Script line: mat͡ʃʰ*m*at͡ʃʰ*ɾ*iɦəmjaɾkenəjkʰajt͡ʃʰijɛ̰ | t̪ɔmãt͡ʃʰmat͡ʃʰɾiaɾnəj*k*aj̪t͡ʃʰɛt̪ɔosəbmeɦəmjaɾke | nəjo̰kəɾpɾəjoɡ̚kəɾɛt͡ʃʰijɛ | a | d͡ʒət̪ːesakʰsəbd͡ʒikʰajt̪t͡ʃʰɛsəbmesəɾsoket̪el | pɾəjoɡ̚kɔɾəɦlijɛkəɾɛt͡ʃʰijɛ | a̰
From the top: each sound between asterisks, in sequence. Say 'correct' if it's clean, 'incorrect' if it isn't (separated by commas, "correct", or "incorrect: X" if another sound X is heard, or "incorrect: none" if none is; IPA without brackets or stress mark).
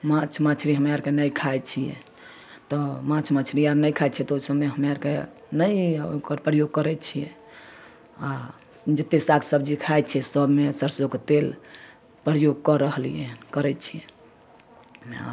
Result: correct, correct, incorrect: kʰ